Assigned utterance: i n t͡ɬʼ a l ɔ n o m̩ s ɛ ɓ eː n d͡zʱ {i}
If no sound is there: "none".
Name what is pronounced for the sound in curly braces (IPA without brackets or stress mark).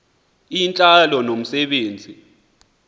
i